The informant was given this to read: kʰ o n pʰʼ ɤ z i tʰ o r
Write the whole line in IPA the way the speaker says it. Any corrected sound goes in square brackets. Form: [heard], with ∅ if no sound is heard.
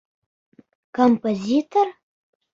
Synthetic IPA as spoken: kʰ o [m] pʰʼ [o] z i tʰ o r